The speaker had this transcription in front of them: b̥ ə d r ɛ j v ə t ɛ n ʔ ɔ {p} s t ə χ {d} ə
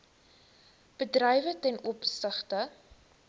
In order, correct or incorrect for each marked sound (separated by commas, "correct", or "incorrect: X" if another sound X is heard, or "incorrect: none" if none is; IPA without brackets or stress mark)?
correct, incorrect: t